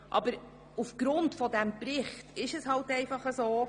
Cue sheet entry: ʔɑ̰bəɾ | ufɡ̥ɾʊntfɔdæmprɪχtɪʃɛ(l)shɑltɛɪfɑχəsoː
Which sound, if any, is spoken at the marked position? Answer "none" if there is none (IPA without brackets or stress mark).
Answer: none